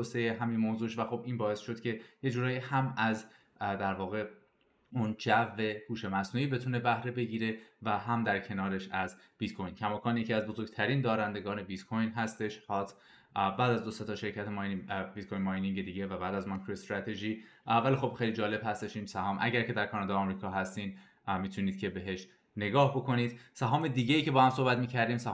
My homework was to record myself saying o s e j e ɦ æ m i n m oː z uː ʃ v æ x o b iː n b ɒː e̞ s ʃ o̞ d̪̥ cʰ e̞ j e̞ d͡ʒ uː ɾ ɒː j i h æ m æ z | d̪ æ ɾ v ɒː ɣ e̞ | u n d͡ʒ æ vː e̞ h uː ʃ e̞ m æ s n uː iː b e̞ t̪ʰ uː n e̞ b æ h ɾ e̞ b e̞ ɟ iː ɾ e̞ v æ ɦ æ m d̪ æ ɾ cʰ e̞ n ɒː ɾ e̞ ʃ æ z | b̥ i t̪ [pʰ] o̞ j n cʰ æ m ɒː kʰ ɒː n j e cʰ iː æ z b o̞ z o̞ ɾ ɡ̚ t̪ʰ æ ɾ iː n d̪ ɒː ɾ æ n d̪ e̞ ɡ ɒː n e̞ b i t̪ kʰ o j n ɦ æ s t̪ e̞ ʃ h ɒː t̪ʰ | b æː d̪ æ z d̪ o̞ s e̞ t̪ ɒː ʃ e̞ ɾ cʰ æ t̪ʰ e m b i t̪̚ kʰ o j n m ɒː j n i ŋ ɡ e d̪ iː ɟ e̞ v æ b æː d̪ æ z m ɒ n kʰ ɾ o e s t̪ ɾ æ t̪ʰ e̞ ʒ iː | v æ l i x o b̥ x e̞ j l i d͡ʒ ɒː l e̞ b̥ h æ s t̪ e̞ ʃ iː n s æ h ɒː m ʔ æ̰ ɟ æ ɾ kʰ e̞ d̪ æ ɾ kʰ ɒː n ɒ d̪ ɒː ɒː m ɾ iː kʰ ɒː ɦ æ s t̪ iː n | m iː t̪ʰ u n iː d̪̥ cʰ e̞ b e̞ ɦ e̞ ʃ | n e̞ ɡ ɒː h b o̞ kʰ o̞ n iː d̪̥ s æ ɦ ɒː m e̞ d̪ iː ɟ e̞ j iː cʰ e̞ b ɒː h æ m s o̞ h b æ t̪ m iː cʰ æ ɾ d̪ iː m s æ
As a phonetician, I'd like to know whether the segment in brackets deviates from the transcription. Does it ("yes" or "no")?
yes